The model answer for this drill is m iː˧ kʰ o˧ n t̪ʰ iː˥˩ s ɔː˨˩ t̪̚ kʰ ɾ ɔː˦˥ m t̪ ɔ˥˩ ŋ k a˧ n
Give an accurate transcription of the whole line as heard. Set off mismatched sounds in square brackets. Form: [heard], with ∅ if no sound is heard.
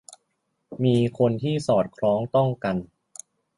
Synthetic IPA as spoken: m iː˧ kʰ o˧ n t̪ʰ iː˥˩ s ɔː˨˩ t̪̚ kʰ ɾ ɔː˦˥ [ŋ] t̪ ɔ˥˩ ŋ k a˧ n